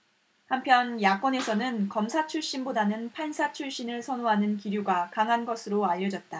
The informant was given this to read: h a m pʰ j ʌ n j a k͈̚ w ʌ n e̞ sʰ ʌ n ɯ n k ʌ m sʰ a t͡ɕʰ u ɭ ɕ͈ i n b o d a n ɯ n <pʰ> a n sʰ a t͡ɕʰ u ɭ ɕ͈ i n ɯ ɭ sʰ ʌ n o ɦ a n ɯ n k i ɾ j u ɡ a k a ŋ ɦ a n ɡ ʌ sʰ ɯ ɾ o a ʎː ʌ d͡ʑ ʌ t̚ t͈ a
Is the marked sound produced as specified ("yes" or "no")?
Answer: yes